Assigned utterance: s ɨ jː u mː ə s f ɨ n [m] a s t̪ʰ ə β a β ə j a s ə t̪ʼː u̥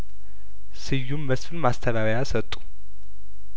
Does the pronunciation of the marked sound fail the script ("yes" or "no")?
no